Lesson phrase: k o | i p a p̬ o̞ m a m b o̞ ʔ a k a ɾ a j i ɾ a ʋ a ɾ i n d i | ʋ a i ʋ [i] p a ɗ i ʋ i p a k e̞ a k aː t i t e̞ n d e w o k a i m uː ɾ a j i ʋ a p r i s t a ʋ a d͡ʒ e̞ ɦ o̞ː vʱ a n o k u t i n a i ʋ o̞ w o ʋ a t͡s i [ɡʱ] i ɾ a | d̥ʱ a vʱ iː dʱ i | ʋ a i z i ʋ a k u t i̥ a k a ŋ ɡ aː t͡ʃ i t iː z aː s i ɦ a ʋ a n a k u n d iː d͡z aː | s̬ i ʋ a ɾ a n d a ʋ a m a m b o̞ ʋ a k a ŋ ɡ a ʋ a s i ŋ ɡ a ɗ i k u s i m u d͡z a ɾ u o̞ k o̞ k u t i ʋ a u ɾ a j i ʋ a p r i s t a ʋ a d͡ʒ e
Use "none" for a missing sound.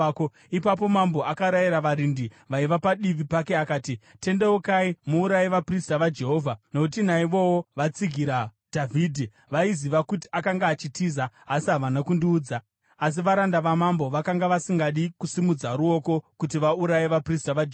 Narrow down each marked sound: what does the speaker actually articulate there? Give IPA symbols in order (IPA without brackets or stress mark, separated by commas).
a, ɡʱ